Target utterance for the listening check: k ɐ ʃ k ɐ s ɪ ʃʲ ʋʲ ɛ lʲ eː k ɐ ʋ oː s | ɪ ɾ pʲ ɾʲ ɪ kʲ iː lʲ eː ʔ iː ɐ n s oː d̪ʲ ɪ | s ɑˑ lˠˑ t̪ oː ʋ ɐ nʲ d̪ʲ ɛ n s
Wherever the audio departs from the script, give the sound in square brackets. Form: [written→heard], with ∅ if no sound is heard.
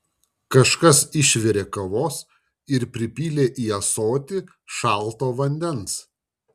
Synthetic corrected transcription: k ɐ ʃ k ɐ s ɪ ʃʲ ʋʲ ɛ [lʲ→ɾʲ] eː k ɐ ʋ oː s | ɪ ɾ pʲ ɾʲ ɪ [kʲ→pʲ] iː lʲ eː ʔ iː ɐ [n→∅] s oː [d̪ʲ→t̪ʲ] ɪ | [s→ʃ] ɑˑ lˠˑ t̪ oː ʋ ɐ nʲ d̪ʲ ɛ n s

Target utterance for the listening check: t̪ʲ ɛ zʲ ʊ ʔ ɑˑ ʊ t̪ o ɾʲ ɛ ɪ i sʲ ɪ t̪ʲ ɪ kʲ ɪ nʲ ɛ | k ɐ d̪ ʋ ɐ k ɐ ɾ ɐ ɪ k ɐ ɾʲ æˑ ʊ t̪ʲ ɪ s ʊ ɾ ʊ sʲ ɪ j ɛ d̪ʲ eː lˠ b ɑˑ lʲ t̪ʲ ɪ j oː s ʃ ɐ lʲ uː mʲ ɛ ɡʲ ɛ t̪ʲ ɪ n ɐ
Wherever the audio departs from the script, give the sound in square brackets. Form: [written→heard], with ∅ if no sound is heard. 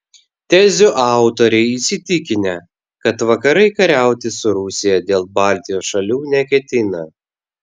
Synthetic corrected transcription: t̪ʲ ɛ zʲ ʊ ʔ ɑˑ ʊ t̪ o ɾʲ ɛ ɪ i sʲ ɪ t̪ʲ ɪ kʲ ɪ nʲ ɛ | k ɐ [d̪→t̪] ʋ ɐ k ɐ ɾ ɐ ɪ k ɐ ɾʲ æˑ ʊ t̪ʲ ɪ s ʊ ɾ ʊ sʲ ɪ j ɛ d̪ʲ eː lˠ b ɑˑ lʲ t̪ʲ ɪ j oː s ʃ ɐ lʲ uː [mʲ→nʲ] ɛ [ɡʲ→kʲ] ɛ t̪ʲ ɪ n ɐ

